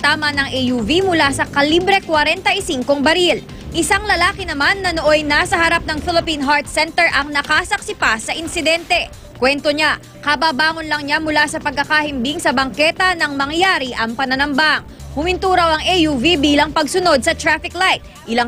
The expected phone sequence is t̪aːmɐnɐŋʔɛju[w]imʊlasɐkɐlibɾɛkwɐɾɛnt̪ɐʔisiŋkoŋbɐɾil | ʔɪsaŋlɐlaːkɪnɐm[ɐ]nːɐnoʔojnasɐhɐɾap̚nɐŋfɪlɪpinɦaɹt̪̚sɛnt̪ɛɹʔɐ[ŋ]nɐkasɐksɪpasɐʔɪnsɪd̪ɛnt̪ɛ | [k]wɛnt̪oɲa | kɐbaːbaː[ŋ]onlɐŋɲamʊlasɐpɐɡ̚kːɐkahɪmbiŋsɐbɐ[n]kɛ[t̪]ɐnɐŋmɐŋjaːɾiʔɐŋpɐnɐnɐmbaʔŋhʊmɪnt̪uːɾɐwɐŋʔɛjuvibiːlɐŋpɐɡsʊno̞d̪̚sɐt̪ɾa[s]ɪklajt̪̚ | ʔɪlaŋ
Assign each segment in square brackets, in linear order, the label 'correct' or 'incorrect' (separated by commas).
incorrect, incorrect, correct, correct, correct, incorrect, correct, incorrect